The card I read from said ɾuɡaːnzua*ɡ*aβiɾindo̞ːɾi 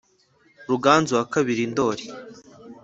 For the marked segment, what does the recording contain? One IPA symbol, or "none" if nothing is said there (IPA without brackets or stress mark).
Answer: k